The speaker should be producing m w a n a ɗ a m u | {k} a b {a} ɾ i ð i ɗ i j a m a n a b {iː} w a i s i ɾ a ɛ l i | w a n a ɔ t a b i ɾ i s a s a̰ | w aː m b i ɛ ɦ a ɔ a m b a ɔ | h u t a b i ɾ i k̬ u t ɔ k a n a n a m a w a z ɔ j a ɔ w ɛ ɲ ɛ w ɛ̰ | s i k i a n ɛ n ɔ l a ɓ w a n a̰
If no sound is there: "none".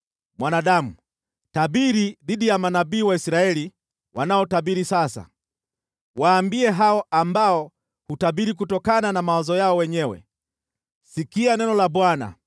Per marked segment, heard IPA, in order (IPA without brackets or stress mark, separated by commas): t, i, iː